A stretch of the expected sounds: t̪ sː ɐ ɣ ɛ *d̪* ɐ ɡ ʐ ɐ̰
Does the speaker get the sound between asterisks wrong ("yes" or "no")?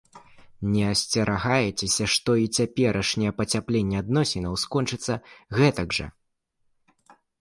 yes